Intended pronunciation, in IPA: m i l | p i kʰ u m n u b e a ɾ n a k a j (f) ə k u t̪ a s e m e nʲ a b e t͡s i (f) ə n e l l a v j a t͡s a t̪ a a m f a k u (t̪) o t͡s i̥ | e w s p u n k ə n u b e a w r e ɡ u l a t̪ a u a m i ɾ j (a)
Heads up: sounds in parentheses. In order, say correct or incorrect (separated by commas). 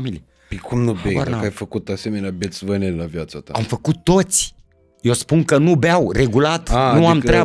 correct, incorrect, correct, correct